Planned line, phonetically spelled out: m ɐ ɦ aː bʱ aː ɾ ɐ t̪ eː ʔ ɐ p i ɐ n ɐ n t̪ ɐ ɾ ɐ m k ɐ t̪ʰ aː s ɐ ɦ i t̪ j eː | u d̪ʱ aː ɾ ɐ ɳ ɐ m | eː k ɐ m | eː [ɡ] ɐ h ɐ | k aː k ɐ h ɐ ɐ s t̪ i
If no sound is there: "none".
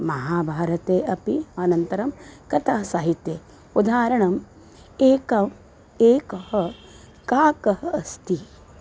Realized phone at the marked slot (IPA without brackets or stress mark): k